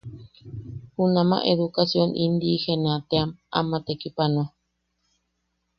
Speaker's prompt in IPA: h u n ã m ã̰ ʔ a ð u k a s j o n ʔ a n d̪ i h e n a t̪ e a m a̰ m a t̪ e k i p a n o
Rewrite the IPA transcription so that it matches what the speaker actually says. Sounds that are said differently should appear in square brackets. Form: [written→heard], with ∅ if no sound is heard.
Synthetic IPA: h u n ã m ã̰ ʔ [a→e] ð u k a s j o n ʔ [a→i] n d̪ i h e n a t̪ e a m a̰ m a t̪ e k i p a n o

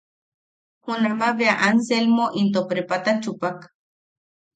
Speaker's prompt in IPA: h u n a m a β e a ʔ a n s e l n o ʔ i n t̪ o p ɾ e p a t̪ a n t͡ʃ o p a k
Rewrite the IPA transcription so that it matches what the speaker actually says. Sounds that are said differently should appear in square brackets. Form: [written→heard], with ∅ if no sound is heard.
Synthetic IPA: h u n a m a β e a ʔ a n s e l [n→m] o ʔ i n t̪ o p ɾ e p a t̪ a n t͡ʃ [o→u] p a k

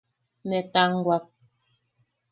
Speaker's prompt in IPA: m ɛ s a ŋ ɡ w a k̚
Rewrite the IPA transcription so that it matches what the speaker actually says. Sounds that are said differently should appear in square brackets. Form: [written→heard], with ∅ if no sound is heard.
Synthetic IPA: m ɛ [s→t] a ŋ ɡ w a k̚

